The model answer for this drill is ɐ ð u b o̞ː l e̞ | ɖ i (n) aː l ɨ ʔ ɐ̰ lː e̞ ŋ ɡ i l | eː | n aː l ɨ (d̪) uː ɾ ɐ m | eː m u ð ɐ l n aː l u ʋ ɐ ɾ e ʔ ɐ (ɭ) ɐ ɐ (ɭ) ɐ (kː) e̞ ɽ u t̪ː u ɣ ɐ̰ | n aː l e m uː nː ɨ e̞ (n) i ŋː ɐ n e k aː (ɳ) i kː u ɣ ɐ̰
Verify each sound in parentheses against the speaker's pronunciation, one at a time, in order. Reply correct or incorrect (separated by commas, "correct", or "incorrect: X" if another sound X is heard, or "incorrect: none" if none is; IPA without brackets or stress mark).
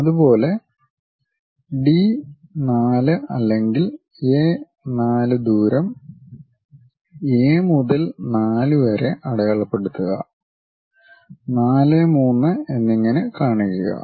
correct, correct, incorrect: ɽ, correct, incorrect: pː, incorrect: nː, correct